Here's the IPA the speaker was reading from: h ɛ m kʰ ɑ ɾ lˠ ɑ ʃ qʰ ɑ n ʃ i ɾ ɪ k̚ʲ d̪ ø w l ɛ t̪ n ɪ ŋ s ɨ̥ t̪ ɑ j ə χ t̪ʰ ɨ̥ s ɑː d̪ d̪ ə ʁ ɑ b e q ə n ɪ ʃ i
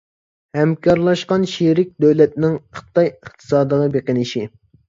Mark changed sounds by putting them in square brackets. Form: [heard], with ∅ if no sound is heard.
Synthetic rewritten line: h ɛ m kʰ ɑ ɾ lˠ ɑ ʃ [q] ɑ n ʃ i ɾ ɪ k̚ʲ d̪ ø w l ɛ t̪ n ɪ ŋ [χ] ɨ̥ t̪ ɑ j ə χ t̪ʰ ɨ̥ s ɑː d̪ d̪ ə ʁ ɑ b e q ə n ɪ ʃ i

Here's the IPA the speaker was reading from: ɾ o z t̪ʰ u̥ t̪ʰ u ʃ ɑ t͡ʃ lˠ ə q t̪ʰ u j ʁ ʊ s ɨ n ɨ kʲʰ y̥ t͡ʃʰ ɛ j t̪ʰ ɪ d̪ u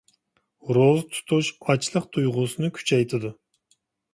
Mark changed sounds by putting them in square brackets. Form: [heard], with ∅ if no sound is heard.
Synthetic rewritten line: ɾ o z t̪ʰ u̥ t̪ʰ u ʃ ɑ t͡ʃ lˠ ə q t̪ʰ u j ʁ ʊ s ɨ n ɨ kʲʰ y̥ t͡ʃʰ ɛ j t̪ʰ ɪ d̪ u

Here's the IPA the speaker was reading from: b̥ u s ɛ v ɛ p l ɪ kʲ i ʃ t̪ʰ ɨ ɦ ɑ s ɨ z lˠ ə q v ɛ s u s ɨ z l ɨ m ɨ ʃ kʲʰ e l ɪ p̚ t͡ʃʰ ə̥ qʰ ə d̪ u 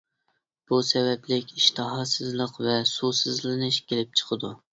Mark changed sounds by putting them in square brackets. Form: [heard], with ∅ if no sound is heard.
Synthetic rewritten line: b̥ u s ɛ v ɛ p l ɪ kʲ i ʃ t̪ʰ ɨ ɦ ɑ s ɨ z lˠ ə q v ɛ s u s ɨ z l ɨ [n] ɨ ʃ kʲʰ e l ɪ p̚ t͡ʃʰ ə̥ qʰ ə d̪ u

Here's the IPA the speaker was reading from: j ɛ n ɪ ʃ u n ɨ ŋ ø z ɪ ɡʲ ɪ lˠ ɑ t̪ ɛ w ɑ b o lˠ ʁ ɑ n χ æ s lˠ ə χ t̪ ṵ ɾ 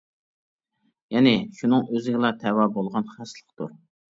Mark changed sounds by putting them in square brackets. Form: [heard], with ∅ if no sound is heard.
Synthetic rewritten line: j ɛ n ɪ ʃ u n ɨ ŋ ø z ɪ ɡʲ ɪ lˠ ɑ [t̪ʰ] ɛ w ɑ b o lˠ ʁ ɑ n χ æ s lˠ ə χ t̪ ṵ ɾ

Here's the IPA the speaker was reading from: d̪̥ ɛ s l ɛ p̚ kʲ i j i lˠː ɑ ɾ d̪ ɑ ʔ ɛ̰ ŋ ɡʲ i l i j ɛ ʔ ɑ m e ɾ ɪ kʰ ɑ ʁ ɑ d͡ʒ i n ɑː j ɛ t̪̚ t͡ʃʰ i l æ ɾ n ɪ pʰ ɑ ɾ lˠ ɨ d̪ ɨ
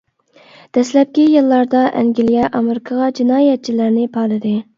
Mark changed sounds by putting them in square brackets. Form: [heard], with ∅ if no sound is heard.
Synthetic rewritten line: d̪̥ ɛ s l ɛ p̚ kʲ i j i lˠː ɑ ɾ d̪ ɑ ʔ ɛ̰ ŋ ɡʲ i l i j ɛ ʔ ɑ m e ɾ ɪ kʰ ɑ ʁ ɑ d͡ʒ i n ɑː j ɛ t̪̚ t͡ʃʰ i l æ ɾ n ɪ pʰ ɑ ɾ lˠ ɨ d̪ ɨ

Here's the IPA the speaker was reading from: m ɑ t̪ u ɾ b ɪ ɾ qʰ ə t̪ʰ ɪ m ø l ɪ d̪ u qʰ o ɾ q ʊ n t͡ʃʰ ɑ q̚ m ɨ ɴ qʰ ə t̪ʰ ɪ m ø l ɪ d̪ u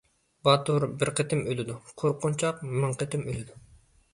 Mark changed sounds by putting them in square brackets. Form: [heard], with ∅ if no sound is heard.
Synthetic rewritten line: [b] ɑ t̪ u ɾ b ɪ ɾ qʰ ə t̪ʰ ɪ m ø l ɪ d̪ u qʰ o ɾ q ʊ n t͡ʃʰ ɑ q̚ m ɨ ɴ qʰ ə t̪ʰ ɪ m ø l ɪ d̪ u

